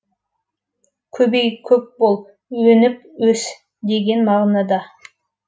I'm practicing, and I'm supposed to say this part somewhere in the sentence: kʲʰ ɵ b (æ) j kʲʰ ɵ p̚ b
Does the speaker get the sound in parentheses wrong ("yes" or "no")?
yes